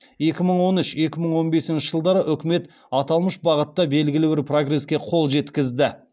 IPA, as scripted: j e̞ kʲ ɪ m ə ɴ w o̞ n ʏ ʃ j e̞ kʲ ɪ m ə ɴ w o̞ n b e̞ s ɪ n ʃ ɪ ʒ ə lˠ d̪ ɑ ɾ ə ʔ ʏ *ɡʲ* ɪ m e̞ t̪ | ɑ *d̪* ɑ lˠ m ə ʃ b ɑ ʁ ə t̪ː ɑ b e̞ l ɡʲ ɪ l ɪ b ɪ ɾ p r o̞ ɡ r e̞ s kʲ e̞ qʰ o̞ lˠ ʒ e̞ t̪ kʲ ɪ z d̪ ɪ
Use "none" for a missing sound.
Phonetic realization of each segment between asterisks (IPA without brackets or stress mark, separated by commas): kʲ, t̪